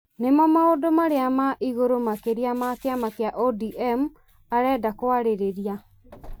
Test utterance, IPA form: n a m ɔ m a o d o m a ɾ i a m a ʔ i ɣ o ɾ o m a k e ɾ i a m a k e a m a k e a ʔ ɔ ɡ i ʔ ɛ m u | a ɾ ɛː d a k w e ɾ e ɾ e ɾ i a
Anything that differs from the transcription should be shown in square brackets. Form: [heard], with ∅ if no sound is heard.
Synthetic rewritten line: n [e] m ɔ m a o d o m a ɾ [e] a m a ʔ i ɣ o ɾ o m a k e ɾ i a m a k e a m a k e a ʔ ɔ [d] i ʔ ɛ m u | a ɾ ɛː d a k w [a] ɾ e ɾ e ɾ i a